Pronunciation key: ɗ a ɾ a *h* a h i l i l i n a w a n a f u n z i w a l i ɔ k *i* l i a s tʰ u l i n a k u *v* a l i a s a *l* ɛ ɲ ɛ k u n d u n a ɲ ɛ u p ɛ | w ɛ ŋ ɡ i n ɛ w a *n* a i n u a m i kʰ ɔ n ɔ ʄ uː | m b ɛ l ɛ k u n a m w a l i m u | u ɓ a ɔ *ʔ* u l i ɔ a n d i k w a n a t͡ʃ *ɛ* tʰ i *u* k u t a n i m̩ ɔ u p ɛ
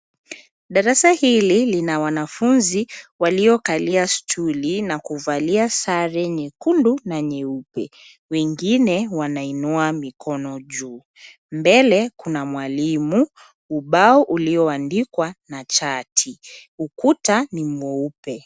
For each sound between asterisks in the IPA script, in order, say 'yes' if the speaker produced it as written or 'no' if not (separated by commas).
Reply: no, no, yes, no, yes, yes, no, yes